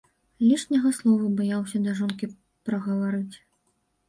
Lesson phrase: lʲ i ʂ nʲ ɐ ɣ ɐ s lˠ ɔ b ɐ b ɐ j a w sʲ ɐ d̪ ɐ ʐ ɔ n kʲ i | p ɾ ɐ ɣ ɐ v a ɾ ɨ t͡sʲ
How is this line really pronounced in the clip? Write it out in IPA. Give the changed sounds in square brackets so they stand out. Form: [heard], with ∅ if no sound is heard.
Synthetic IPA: lʲ i ʂ nʲ ɐ ɣ ɐ s lˠ ɔ [v] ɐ b [a] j a w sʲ ɐ d̪ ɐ ʐ ɔ n kʲ i | p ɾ ɐ ɣ ɐ v a ɾ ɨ t͡sʲ